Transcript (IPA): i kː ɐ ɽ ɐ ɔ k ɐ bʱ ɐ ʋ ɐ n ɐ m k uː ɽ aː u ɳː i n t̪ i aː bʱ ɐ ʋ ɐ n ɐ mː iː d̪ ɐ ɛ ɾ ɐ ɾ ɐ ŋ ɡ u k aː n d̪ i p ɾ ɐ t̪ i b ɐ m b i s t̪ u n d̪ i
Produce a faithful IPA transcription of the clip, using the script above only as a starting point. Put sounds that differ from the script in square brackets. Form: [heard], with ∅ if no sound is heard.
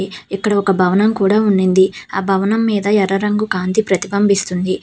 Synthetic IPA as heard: i kː ɐ ɽ ɐ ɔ k ɐ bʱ ɐ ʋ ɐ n ɐ m k uː ɽ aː u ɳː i n [d̪] i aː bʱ ɐ ʋ ɐ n ɐ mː iː d̪ ɐ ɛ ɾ ɐ ɾ ɐ ŋ ɡ u k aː n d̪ i p ɾ ɐ t̪ i b ɐ m b i s t̪ u n d̪ i